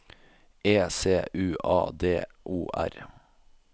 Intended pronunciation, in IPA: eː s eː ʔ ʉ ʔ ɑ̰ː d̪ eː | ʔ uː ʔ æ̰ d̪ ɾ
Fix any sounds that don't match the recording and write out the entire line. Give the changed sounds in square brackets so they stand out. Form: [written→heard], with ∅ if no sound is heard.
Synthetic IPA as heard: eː s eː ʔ [ʉ→ʉː] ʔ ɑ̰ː d̪ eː | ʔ uː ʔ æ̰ [d̪→∅] ɾ

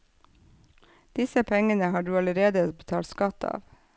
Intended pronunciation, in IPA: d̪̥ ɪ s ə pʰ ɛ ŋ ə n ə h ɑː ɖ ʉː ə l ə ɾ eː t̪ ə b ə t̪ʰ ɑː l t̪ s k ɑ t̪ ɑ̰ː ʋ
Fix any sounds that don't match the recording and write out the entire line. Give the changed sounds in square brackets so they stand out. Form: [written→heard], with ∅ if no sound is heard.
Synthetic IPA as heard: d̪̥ ɪ s ə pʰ ɛ ŋ ə n ə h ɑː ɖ ʉː [ə→ɑ] l ə ɾ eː [t̪→d̪] ə b ə t̪ʰ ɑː l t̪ s k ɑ t̪ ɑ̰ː ʋ

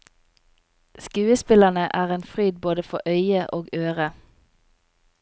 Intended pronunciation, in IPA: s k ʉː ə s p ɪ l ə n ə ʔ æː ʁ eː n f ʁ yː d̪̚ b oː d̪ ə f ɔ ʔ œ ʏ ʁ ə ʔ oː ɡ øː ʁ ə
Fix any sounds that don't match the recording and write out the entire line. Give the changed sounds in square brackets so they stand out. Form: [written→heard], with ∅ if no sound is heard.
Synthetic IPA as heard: s k ʉː ə s p ɪ l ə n ə ʔ æː ʁ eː n f ʁ yː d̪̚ b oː d̪ ə f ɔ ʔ œ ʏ [ʁ→∅] ə ʔ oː ɡ øː ʁ ə

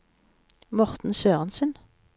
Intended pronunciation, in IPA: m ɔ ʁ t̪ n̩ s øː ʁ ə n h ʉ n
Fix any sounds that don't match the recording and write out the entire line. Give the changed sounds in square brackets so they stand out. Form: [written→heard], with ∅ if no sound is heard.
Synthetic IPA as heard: m ɔ ʁ t̪ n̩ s øː ʁ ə n [h→s] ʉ n

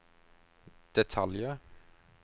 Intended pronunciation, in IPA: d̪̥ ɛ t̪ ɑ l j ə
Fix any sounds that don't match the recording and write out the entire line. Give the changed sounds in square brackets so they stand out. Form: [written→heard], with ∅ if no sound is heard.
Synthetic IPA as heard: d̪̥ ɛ [t̪→t̪ʰ] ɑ l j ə

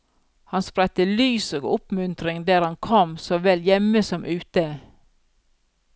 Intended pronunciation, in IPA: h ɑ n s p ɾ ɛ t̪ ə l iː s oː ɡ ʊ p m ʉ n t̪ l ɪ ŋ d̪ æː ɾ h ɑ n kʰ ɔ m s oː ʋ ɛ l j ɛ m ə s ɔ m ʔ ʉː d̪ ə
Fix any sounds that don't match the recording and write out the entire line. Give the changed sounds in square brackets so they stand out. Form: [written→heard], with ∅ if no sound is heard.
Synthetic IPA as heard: h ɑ n s p ɾ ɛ t̪ ə l [iː→yː] s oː ɡ ʊ p m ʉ n t̪ [l→ɾ] ɪ ŋ d̪ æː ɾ h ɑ n kʰ ɔ m s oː ʋ ɛ l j ɛ m ə s ɔ m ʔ ʉː [d̪→t̪] ə

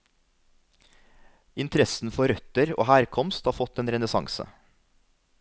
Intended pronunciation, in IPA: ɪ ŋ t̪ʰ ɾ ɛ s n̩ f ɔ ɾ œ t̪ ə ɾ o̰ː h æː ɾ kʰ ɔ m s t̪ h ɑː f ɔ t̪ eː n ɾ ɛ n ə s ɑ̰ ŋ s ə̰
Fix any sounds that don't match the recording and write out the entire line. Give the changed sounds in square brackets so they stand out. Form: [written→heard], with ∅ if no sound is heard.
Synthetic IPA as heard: ɪ [ŋ→n] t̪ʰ ɾ ɛ s n̩ f ɔ ɾ œ t̪ ə ɾ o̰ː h æː ɾ kʰ ɔ m s t̪ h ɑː f ɔ t̪ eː n ɾ ɛ n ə s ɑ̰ ŋ s ə̰

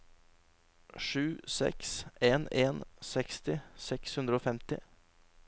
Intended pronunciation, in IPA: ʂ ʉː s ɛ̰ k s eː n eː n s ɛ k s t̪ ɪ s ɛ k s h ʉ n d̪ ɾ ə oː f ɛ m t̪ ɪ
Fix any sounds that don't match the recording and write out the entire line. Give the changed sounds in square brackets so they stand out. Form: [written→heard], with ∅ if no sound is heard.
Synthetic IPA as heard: ʂ ʉː s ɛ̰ k s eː n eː n s ɛ k s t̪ ɪ s ɛ k s h ʉ n d̪ ɾ ə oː f ɛ m t̪ ɪ

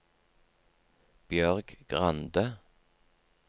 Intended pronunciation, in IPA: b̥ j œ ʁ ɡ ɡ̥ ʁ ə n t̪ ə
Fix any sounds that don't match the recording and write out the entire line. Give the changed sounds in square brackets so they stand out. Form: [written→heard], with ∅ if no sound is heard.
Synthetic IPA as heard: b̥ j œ ʁ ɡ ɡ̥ ʁ [ə→ɑ] n [t̪→d̪] ə

